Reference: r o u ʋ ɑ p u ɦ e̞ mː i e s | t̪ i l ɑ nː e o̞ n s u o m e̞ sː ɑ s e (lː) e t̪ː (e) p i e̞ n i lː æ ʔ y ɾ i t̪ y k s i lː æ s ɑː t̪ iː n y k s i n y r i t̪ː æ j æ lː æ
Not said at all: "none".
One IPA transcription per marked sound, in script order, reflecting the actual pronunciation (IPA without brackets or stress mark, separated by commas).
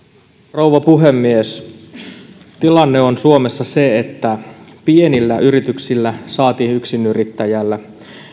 none, æ